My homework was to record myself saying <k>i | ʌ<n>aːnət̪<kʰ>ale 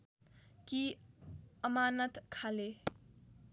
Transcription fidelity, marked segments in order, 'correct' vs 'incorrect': correct, incorrect: m, correct

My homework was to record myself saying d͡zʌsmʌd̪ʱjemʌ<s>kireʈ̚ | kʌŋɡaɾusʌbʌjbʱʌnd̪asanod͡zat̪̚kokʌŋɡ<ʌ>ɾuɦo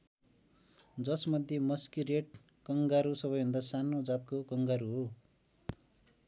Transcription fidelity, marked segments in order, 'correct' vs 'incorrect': correct, incorrect: a

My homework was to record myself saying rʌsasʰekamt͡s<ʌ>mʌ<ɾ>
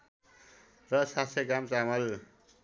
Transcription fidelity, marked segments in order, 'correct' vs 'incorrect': incorrect: a, incorrect: l

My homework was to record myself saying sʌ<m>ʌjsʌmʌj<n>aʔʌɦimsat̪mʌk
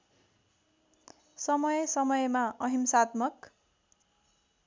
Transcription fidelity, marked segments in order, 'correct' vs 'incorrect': correct, incorrect: m

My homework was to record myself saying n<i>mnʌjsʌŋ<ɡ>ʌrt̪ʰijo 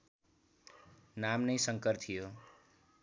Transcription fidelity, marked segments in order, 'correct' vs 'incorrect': incorrect: a, incorrect: k

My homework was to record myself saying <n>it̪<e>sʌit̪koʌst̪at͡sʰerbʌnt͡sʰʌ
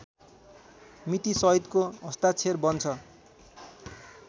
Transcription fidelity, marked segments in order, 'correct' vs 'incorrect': incorrect: m, incorrect: i

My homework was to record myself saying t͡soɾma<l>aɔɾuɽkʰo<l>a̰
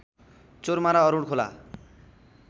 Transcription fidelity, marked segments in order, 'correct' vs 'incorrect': incorrect: ɾ, correct

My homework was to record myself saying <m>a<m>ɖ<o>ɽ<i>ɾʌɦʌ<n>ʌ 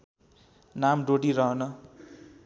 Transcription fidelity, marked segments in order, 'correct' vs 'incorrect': incorrect: n, correct, correct, correct, correct

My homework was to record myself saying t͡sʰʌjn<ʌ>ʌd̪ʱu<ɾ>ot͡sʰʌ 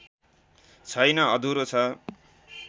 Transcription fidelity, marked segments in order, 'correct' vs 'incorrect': correct, correct

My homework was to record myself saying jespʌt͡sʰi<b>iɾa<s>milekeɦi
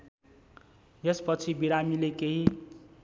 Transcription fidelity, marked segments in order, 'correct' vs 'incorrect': correct, incorrect: none

